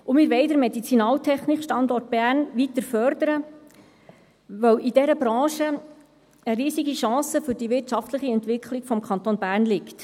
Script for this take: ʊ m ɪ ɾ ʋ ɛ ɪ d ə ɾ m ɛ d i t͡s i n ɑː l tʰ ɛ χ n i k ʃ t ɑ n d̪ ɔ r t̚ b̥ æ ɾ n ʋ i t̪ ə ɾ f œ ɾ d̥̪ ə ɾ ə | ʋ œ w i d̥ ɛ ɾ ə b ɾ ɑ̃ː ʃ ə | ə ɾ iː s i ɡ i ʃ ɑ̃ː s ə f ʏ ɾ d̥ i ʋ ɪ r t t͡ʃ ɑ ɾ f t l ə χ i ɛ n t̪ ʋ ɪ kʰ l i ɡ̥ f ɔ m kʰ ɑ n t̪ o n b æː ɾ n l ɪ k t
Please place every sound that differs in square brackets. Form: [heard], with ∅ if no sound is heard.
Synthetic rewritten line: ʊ m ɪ ɾ ʋ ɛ ɪ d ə ɾ m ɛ d i t͡s i n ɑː l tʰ ɛ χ n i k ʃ t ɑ n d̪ ɔ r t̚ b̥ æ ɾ n ʋ i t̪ ə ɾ f œ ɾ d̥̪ ə ɾ ə | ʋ œ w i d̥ ɛ ɾ ə b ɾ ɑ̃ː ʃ ə | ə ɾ iː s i ɡ i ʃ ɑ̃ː s ə f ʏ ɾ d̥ i ʋ ɪ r t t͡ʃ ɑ [∅] f t l ə χ i ɛ n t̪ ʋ ɪ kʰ l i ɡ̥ f ɔ m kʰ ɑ n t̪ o n b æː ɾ n l ɪ k t